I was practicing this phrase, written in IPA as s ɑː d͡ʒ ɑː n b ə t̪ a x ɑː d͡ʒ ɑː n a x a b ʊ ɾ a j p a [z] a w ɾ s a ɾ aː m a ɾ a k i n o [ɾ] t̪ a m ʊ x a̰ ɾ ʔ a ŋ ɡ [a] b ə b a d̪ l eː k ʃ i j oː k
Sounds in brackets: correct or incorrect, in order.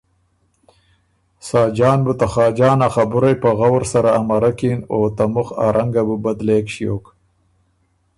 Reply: incorrect: ɣ, incorrect: none, correct

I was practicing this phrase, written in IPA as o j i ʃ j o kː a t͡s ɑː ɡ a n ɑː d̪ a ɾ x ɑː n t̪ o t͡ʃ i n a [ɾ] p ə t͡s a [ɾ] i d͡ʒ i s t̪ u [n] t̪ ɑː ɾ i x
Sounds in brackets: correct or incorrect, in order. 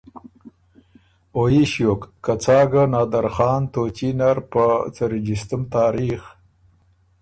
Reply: correct, correct, incorrect: m

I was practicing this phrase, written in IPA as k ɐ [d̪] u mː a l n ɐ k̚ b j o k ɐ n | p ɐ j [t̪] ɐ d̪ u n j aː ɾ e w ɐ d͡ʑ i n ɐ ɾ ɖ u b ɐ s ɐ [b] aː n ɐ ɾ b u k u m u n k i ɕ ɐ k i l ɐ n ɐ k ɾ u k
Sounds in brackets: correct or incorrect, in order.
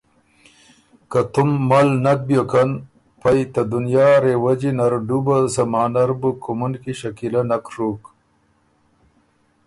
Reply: incorrect: t̪, correct, incorrect: m

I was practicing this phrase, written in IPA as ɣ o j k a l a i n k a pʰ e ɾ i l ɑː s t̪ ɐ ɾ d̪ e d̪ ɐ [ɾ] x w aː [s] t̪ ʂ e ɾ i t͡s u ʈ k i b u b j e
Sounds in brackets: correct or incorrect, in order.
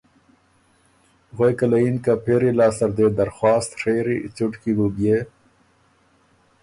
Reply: correct, correct

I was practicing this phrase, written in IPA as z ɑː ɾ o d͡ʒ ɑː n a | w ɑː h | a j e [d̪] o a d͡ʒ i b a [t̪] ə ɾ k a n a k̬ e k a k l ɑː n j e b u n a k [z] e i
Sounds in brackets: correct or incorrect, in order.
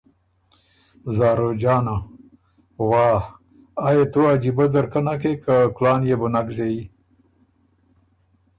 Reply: incorrect: t̪, incorrect: d̪, correct

